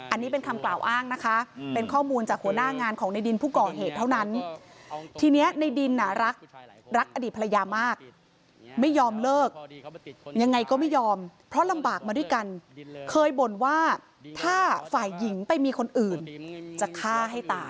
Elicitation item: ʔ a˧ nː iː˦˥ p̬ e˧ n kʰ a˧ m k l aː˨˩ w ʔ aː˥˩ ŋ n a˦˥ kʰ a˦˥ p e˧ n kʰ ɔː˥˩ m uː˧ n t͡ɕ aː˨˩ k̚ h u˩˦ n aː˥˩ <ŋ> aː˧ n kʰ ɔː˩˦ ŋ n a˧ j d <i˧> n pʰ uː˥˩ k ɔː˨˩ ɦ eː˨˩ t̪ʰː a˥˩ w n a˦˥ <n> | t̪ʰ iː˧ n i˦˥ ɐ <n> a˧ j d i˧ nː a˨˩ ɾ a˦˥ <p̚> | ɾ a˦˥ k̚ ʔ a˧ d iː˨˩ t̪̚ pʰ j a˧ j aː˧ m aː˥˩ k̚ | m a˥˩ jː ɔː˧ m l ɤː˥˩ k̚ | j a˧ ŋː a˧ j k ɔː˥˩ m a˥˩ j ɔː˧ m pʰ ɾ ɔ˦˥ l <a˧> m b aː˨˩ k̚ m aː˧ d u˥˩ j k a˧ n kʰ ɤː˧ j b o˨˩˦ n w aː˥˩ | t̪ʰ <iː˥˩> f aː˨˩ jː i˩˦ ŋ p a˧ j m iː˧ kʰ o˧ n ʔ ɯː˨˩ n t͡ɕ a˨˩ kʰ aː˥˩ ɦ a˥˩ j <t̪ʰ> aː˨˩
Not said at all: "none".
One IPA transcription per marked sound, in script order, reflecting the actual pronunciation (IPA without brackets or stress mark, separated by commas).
ŋ, i˧, n, n, k̚, a˧, aː˥˩, t̪